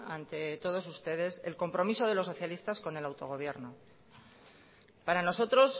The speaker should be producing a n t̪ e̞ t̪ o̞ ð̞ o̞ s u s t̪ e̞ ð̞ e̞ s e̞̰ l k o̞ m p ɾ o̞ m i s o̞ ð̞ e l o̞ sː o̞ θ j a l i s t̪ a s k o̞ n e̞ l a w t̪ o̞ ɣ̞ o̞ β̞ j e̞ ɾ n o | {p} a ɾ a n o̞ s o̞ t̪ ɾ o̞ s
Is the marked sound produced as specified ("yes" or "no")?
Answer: yes